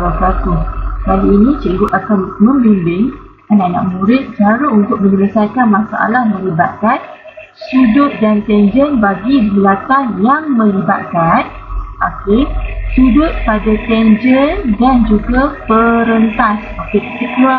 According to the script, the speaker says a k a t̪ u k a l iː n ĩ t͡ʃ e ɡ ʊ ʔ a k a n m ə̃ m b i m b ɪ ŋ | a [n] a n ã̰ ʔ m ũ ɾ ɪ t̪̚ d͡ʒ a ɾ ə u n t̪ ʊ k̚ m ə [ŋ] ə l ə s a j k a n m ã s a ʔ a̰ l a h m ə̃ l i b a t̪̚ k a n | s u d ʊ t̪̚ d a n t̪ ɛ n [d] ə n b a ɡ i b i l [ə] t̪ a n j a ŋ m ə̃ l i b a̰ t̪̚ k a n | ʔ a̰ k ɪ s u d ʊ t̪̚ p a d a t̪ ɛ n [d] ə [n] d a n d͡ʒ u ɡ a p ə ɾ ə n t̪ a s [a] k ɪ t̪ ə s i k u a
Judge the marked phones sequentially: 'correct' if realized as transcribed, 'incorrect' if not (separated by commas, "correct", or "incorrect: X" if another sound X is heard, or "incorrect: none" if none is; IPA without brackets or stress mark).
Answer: correct, incorrect: ɲ, incorrect: d͡ʒ, incorrect: a, incorrect: d͡ʒ, correct, correct